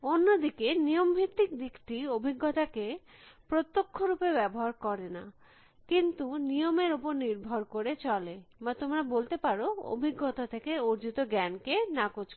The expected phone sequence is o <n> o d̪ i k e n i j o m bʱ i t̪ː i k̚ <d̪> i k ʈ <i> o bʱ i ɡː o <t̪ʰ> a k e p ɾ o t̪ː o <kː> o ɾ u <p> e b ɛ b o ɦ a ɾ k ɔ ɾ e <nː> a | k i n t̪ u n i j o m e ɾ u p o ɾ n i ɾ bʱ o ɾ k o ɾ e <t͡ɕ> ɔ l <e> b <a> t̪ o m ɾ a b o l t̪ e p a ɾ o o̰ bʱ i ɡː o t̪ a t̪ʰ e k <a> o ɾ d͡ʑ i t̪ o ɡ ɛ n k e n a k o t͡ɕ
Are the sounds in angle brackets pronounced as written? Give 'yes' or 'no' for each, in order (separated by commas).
no, yes, yes, no, no, yes, no, yes, yes, yes, no